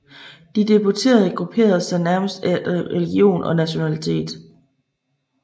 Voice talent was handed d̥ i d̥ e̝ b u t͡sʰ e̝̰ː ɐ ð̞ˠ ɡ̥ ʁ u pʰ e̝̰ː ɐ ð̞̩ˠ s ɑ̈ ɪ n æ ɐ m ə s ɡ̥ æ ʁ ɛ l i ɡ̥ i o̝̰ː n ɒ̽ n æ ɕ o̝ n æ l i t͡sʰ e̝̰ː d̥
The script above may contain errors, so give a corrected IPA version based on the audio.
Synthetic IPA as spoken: d̥ i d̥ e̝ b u t͡sʰ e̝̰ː ɐ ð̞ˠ ɡ̥ ʁ u pʰ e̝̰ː ɐ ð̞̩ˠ s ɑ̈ ɪ n æ ɐ m ə s d̥ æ ʁ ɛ l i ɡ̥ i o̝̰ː n ɒ̽ n æ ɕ o̝ n æ l i t͡sʰ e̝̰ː d̥